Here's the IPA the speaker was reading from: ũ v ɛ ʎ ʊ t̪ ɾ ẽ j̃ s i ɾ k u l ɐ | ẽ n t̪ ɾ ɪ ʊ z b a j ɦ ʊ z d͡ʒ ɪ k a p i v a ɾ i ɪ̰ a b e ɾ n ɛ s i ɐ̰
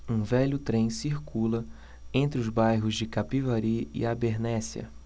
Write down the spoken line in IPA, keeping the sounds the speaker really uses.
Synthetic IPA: ũ v ɛ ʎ ʊ t̪ ɾ ẽ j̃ s i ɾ k u l ɐ | ẽ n t̪ ɾ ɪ ʊ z b a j ɦ ʊ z d͡ʒ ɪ k a p i v a ɾ i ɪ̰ a b e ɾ n ɛ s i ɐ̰